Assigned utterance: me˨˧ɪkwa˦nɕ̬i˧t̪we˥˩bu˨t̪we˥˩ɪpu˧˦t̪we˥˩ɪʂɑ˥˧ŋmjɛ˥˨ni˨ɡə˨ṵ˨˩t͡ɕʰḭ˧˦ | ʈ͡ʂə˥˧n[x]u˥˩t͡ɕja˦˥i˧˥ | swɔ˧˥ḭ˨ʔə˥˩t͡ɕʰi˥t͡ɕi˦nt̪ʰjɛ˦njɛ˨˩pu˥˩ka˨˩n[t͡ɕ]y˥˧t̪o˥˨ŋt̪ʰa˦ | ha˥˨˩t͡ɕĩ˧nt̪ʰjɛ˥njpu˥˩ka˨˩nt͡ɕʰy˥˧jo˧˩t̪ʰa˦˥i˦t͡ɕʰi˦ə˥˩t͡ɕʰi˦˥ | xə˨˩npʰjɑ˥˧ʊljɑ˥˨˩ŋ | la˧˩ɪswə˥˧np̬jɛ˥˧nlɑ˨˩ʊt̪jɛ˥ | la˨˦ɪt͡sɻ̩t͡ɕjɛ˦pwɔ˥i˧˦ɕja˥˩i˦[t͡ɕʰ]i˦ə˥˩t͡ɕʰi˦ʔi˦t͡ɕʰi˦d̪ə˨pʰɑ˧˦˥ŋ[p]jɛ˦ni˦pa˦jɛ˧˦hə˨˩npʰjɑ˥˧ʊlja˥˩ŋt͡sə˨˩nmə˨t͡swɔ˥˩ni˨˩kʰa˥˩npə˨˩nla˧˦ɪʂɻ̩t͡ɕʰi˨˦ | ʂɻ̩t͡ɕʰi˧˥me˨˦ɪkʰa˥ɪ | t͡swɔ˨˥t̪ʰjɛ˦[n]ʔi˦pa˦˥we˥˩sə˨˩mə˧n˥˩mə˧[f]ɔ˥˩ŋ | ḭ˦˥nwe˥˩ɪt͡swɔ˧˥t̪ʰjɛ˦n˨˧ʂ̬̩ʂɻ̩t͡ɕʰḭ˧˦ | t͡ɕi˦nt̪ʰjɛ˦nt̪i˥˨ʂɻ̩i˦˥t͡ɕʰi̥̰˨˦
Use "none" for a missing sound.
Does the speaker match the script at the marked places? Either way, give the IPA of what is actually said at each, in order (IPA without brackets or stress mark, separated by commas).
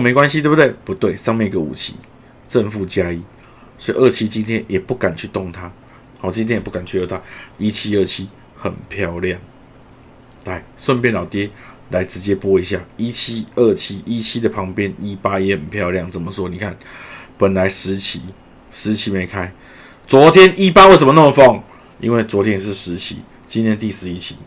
f, t͡ɕʰ, t͡ɕʰ, p, n, f